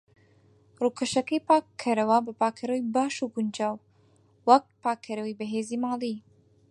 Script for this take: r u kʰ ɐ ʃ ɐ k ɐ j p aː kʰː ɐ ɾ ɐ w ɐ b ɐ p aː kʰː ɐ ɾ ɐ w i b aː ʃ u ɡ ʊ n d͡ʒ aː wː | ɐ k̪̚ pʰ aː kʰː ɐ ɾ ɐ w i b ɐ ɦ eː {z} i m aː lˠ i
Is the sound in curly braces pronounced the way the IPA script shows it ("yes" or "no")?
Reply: yes